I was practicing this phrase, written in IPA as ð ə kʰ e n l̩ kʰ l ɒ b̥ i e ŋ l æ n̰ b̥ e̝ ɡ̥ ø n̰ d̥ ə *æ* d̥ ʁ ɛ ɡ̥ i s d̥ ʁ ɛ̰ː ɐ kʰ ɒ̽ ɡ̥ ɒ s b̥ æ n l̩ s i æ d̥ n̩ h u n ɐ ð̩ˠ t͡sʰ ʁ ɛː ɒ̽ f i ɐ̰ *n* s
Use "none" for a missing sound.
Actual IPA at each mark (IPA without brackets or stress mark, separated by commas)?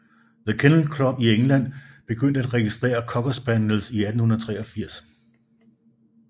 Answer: æ, none